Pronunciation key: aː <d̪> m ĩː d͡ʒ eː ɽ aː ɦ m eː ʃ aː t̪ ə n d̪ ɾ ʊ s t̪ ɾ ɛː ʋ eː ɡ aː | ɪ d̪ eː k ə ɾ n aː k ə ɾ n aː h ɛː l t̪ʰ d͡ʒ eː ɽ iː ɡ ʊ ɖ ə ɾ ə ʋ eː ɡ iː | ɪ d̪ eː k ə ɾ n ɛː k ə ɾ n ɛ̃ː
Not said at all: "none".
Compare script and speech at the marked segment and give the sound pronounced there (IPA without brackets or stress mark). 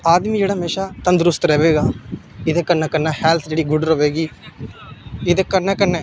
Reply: d̪